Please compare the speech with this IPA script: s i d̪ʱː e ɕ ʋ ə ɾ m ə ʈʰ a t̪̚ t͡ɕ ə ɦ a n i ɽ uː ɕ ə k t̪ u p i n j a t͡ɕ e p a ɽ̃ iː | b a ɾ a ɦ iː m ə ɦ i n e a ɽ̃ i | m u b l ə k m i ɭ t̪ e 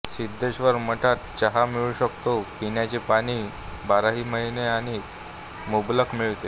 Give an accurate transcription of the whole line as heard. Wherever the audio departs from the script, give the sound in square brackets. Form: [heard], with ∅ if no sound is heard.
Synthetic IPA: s i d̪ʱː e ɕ ʋ ə ɾ m ə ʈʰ a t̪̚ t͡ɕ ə ɦ a [m] i [ɭ] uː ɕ ə k t̪ [o] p i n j a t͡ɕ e p a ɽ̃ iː | b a ɾ a ɦ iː m ə ɦ i n e a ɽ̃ i | m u b l ə k m i ɭ t̪ e